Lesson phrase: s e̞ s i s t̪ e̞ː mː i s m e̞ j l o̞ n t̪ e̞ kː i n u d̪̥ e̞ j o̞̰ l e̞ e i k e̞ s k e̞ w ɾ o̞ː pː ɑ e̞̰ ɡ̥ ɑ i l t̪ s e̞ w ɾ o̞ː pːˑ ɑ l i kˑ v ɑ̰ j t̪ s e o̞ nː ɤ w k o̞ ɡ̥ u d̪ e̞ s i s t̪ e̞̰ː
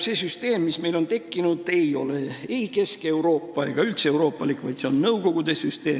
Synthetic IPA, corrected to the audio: s e̞ s y s t̪ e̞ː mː i s m e̞ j l o̞ n t̪ e̞ kː i n u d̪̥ e̞ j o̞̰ l e̞ e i k e̞ s k e̞ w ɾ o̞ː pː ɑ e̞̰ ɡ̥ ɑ y l t̪ s e̞ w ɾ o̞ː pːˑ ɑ l i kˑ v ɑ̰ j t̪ s e o̞ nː ɤ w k o̞ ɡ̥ u d̪ e̞ s y s t̪ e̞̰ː